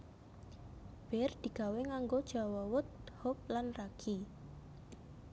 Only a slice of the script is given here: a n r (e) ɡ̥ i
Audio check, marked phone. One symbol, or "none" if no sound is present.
a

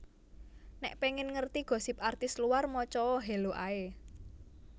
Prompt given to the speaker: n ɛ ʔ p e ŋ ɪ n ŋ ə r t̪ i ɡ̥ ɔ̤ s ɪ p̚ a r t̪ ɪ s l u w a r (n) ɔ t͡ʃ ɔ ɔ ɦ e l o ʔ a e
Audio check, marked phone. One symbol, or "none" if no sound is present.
m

